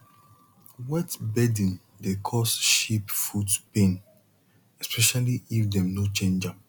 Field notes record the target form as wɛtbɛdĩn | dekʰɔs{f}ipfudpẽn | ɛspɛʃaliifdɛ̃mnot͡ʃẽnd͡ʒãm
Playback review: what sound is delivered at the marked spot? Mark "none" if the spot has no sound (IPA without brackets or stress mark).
ʃ